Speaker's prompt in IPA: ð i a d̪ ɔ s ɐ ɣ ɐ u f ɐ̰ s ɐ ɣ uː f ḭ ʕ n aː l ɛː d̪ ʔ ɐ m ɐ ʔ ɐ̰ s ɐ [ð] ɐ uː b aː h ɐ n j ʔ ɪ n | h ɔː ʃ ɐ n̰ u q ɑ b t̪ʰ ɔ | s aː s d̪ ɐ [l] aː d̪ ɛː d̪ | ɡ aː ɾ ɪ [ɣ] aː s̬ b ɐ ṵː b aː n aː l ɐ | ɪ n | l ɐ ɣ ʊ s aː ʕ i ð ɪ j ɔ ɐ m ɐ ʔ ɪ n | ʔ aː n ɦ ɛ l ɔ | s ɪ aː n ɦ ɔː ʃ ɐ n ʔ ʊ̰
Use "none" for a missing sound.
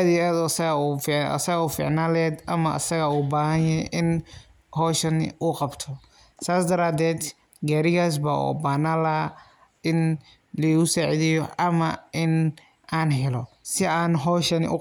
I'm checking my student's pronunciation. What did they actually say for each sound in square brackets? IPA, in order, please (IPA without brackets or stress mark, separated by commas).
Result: ɣ, ɾ, ɣ